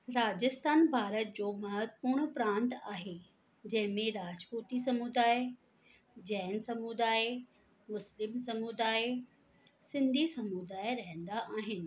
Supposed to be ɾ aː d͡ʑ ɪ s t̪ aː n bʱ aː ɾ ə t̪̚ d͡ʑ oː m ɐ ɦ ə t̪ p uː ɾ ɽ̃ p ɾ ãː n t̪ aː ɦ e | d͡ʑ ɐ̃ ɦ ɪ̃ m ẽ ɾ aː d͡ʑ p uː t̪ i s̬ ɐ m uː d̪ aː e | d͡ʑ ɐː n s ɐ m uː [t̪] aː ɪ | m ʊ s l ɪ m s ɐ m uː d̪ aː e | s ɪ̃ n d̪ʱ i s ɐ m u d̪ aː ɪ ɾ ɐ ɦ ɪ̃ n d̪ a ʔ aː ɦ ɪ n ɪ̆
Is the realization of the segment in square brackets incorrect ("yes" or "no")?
yes